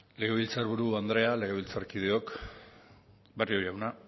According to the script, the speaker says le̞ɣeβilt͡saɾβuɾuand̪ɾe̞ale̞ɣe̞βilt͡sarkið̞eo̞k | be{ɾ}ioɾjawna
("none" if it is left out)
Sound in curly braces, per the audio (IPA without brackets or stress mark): r